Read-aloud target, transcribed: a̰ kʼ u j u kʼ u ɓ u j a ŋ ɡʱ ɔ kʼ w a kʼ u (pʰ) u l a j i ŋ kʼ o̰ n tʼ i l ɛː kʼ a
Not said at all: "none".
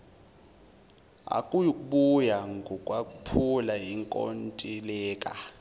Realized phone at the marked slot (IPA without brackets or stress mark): pʰ